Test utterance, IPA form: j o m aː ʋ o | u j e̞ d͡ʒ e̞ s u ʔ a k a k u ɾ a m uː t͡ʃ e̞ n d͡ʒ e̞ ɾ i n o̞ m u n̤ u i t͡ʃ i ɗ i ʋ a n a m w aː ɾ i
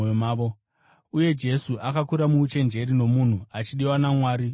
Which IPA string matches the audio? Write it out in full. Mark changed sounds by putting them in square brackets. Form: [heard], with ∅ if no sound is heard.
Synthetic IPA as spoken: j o m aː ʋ o | u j e̞ d͡ʒ e̞ s u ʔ a k a k u ɾ a m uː t͡ʃ e̞ n d͡ʒ e̞ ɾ i n o̞ m u n̤ u [a] t͡ʃ i ɗ i [w] a n a m w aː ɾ i